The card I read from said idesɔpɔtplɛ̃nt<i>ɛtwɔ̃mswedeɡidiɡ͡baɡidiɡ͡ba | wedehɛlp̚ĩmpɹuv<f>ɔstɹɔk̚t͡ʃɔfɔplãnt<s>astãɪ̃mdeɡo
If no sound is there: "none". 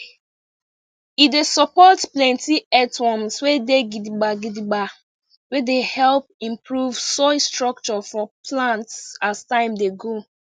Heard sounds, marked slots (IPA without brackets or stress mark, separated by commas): i, s, s